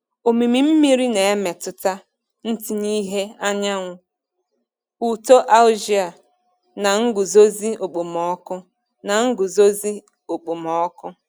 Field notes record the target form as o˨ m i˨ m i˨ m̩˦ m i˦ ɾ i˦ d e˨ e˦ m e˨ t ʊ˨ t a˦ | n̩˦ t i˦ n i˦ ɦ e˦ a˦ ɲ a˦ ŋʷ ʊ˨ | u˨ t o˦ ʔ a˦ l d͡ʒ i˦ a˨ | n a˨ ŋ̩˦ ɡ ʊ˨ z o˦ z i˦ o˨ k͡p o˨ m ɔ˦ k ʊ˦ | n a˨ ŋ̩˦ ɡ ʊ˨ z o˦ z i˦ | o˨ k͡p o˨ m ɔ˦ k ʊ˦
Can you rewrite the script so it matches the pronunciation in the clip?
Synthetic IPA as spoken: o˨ m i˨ m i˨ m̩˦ m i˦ ɾ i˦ n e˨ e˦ m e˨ t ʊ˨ t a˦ | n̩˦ t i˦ n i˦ ɦ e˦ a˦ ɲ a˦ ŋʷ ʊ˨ | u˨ t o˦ ʔ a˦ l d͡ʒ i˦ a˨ | n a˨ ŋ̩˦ ɡ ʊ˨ z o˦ z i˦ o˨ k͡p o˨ m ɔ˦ k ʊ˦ | n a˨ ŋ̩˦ ɡ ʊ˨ z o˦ z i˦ | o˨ k͡p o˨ m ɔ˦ k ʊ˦